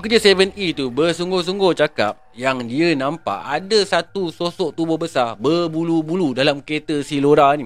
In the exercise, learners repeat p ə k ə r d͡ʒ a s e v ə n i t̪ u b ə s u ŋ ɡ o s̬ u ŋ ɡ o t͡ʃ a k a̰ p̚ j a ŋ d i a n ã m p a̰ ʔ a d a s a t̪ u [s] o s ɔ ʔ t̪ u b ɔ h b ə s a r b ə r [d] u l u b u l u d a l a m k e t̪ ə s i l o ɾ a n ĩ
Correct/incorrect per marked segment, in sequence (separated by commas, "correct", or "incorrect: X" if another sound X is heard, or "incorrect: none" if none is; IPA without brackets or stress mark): correct, incorrect: b